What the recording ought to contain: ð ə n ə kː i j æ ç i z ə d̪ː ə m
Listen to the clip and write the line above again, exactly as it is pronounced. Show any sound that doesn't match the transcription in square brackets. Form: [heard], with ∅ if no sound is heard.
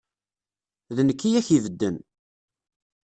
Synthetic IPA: ð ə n ə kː i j æ ç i [v] ə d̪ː ə [n]